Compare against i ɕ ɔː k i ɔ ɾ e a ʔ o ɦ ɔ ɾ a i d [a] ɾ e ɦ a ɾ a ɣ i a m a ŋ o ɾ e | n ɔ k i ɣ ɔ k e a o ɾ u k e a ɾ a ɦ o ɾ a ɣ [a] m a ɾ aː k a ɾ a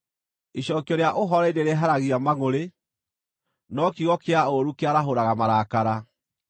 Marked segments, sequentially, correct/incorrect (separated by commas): incorrect, correct